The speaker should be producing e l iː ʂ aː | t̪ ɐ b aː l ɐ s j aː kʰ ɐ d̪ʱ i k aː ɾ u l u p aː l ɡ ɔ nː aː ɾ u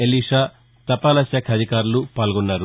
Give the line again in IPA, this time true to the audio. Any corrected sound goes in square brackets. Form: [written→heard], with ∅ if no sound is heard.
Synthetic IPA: e l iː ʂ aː | t̪ ɐ [b→p] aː l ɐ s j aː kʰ ɐ d̪ʱ i k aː ɾ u l u p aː l ɡ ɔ nː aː ɾ u